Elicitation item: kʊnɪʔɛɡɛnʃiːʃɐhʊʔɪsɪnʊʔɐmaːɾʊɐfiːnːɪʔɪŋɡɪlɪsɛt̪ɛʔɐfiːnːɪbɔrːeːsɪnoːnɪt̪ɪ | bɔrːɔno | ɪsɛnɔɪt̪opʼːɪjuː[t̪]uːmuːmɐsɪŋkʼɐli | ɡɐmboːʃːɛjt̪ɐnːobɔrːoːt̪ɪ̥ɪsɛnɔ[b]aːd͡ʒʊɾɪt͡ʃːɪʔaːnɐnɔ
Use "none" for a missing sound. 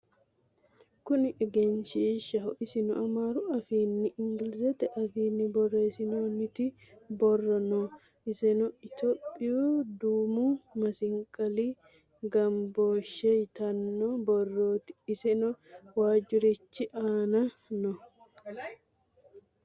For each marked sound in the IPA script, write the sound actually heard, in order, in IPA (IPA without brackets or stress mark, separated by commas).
d̪, w